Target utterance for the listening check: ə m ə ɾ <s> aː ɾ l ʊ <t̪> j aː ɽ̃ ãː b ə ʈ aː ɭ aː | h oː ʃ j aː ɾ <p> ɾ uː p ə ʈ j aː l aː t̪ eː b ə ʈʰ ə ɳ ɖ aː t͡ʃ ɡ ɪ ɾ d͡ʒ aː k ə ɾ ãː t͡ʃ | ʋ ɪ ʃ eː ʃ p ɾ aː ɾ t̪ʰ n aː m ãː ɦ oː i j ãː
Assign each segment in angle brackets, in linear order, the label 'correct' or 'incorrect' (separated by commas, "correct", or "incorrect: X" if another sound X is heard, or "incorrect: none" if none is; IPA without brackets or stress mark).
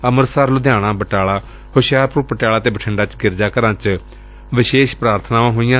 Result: correct, incorrect: d̪, correct